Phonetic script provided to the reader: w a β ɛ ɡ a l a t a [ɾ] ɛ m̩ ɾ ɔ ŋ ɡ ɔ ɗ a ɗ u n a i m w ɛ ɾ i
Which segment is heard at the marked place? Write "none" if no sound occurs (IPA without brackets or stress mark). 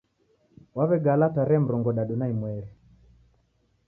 ɾ